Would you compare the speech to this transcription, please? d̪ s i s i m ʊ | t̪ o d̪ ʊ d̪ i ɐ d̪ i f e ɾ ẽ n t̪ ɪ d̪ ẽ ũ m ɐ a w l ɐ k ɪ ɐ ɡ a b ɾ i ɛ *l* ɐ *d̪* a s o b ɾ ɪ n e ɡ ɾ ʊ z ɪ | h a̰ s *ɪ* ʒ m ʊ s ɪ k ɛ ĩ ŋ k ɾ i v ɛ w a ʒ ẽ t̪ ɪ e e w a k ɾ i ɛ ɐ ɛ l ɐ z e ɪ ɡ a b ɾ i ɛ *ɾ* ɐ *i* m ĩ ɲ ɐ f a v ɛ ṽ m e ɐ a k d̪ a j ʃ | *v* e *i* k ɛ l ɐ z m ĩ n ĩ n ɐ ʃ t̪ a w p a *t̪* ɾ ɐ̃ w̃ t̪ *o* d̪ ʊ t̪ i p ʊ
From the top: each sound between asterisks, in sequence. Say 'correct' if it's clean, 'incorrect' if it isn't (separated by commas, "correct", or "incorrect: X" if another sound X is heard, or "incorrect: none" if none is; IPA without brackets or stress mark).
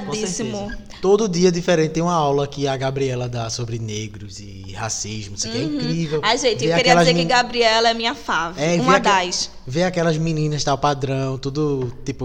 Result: correct, correct, incorrect: i, incorrect: l, incorrect: ɛ, correct, incorrect: a, incorrect: d̪, incorrect: u